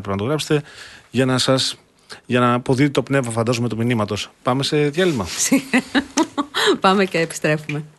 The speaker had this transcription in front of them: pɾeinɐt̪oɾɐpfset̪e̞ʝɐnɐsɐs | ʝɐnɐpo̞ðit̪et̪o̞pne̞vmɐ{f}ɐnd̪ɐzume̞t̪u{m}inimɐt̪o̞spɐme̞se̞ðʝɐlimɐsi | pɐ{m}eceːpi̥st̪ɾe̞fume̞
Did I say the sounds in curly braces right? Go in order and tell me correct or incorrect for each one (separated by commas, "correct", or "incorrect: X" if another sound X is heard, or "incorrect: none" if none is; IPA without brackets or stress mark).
correct, correct, correct